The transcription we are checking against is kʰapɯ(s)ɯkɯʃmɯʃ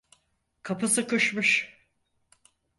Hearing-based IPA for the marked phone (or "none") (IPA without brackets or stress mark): s